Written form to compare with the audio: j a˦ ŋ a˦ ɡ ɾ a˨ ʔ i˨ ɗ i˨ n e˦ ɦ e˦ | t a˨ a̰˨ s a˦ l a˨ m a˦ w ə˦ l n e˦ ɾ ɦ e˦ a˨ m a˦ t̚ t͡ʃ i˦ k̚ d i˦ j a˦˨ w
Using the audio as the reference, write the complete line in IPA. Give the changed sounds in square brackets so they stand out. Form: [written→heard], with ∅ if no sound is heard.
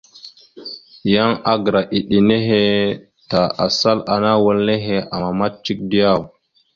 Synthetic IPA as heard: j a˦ ŋ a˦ ɡ ɾ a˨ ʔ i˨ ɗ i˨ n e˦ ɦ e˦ | t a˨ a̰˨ s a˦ l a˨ [m→n] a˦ w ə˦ l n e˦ [ɾ→∅] ɦ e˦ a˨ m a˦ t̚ t͡ʃ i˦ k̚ d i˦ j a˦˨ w